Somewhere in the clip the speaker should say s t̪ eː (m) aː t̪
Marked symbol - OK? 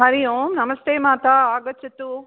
yes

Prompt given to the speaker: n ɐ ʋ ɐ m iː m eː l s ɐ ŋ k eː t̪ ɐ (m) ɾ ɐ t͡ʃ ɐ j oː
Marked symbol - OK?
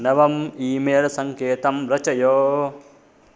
yes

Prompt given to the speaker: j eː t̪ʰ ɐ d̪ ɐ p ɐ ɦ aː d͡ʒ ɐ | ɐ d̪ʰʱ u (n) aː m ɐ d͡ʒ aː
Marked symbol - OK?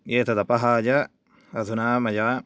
yes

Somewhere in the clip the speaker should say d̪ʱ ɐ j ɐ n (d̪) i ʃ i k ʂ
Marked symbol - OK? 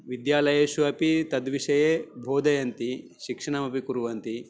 no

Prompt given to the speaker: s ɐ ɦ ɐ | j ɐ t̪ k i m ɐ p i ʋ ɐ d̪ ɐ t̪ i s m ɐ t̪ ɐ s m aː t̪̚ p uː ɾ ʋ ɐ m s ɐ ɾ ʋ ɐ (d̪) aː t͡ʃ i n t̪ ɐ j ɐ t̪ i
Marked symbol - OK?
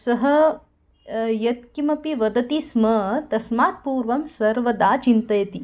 yes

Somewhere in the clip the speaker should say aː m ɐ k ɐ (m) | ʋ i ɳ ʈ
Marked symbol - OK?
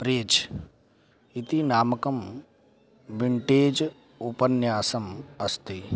yes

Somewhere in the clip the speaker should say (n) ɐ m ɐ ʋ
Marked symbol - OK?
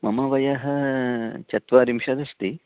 no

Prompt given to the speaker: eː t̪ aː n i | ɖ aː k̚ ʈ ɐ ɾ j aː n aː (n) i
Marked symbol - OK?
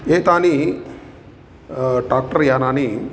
yes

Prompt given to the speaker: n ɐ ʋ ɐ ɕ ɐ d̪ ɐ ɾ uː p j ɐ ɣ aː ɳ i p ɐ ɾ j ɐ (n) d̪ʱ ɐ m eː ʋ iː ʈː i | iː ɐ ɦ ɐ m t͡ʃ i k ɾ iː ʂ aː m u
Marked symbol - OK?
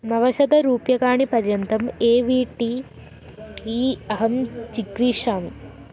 yes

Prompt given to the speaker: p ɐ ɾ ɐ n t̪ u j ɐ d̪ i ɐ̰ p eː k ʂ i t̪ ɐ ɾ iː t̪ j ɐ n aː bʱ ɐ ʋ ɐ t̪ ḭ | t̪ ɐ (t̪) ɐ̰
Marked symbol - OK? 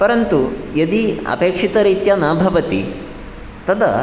no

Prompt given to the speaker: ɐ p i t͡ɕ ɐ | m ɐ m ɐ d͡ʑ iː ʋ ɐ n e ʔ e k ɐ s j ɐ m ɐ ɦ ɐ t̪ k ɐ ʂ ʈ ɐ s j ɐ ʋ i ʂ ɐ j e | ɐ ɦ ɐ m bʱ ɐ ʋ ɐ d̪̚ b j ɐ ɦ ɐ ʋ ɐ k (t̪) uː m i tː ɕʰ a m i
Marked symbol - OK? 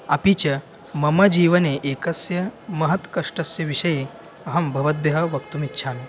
yes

